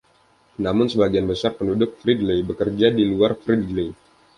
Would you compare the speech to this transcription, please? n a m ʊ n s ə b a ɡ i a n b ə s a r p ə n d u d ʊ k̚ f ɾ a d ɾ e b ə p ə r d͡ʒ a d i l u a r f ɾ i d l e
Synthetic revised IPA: n a m ʊ n s ə b a ɡ i a n b ə s a r p ə n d u d ʊ k̚ f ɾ i d l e b ə k ə r d͡ʒ a d i l u a r f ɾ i d l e